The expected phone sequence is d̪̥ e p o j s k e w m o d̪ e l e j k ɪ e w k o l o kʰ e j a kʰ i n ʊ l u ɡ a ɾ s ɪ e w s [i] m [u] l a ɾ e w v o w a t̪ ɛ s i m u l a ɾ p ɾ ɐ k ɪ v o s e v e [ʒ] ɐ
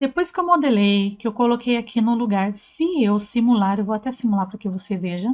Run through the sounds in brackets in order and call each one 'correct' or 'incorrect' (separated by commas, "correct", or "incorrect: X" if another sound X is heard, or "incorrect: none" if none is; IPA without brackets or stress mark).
correct, correct, correct